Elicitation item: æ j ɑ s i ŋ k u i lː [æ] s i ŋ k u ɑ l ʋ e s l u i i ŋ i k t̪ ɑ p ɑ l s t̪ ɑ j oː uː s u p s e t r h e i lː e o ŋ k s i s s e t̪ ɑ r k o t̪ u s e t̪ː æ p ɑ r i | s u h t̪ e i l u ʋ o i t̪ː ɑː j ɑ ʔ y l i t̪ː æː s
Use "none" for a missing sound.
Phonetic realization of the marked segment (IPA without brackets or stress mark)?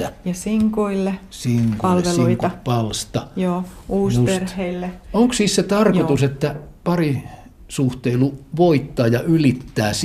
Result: e